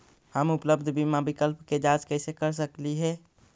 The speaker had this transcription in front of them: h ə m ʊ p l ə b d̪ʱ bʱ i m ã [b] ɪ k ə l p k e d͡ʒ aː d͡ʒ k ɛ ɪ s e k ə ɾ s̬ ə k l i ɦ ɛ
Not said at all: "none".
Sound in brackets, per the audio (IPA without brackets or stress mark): b